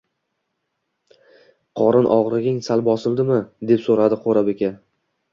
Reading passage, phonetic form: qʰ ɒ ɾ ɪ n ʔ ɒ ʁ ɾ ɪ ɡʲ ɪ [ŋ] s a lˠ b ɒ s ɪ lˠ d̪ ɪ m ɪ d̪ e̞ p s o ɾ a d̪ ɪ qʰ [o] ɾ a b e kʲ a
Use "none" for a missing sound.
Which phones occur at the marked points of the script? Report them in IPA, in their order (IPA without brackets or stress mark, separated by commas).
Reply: ŋ, o